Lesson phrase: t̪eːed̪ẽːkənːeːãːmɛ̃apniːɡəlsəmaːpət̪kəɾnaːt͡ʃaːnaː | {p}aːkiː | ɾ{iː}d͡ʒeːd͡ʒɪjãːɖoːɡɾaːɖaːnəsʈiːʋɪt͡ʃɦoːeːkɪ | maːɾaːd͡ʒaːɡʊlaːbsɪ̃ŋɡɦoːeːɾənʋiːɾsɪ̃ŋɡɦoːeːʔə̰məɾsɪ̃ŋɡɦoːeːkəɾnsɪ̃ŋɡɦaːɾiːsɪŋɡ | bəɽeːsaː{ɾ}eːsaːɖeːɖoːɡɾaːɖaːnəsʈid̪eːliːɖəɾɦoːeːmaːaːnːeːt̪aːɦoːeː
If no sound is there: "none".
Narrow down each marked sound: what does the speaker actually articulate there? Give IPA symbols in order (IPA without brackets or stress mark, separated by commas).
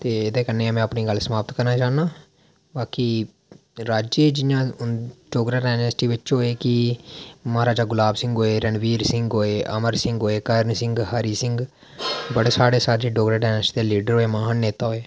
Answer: b, aː, ɽ